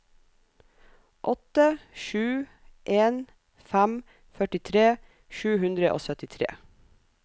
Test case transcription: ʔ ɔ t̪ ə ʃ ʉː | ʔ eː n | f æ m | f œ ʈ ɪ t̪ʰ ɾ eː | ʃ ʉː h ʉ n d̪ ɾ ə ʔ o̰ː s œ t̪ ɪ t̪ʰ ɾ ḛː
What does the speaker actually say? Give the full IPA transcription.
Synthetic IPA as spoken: ʔ ɔ t̪ ə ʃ ʉː | ʔ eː n | f æ m | f œ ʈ ɪ t̪ʰ ɾ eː | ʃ ʉː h ʉ n d̪ ɾ ə ʔ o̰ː s œ t̪ ɪ t̪ʰ ɾ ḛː